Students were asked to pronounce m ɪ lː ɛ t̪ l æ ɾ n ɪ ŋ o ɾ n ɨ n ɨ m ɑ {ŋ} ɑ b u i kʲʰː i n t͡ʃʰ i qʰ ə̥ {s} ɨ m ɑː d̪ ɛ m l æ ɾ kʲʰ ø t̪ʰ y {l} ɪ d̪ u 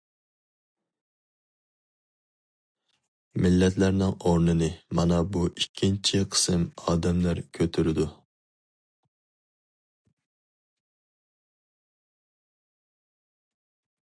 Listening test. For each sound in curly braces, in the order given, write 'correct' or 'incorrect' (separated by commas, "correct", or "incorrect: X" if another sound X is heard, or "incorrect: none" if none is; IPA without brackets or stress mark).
incorrect: n, correct, incorrect: ɾ